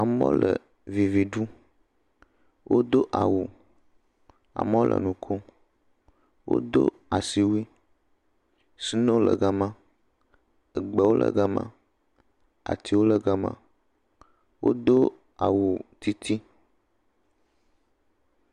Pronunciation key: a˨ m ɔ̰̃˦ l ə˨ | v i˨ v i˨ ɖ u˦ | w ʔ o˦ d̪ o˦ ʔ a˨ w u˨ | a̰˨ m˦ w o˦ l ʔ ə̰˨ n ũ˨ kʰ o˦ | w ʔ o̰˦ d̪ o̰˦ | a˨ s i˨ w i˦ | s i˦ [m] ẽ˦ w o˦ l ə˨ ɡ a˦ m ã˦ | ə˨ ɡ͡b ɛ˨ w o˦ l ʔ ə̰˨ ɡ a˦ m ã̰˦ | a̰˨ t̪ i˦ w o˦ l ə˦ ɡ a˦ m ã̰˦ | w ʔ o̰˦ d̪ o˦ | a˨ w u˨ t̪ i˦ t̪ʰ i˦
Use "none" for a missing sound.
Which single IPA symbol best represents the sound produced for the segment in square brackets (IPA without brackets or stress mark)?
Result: n